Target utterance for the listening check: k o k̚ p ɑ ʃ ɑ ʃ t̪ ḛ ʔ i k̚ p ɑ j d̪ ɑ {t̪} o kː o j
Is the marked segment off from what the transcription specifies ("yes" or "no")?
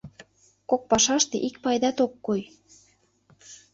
no